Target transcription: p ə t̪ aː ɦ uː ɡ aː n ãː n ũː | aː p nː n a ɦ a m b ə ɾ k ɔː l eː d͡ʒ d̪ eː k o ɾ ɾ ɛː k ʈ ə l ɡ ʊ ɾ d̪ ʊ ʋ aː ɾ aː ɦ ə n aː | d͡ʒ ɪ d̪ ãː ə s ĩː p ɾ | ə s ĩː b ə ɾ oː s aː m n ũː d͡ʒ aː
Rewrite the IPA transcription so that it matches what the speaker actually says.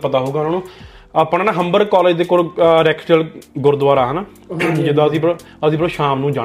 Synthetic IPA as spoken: p ə t̪ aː ɦ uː ɡ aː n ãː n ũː | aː p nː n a ɦ ə m b ə ɾ k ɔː l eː d͡ʒ d̪ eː k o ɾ ɾ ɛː k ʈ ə l ɡ ʊ ɾ d̪ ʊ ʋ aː ɾ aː ɦ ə n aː | d͡ʒ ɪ d̪ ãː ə s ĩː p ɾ | ə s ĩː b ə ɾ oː ʃ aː m n ũː d͡ʒ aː